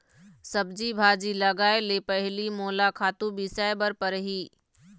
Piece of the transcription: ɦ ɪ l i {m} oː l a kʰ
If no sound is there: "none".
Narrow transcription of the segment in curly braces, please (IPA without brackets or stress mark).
m